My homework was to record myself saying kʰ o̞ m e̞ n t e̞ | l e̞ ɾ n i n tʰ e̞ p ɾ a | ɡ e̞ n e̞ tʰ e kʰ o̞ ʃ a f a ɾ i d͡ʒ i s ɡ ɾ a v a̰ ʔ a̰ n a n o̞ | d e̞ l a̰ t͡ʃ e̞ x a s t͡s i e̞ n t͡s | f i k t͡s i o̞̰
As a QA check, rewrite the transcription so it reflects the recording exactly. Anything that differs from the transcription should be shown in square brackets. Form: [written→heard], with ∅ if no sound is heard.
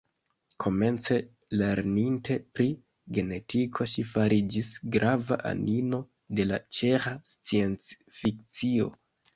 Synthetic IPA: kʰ o̞ m e̞ n [t→t͡s] e̞ | l e̞ ɾ n i n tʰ e̞ p ɾ [a→i] | ɡ e̞ n e̞ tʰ [e→i] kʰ o̞ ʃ [a→i] f a ɾ i d͡ʒ i s ɡ ɾ a v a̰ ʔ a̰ n [a→i] n o̞ | d e̞ l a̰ t͡ʃ e̞ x a s t͡s i e̞ n t͡s | f i k t͡s i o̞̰